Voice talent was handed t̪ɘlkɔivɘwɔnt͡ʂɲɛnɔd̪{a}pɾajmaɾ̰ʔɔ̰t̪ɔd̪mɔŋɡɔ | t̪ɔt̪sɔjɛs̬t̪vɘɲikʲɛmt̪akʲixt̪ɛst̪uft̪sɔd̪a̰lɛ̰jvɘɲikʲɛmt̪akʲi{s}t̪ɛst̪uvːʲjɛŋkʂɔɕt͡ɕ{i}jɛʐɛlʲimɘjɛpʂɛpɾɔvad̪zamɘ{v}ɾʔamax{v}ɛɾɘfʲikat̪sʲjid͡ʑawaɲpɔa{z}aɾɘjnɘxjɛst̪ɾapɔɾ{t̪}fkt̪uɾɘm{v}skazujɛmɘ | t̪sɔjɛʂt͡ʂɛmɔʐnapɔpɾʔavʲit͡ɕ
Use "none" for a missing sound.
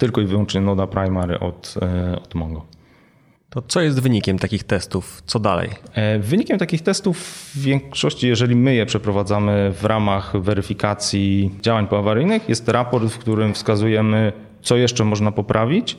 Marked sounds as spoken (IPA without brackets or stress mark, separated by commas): a, x, i, v, v, v, t̪, f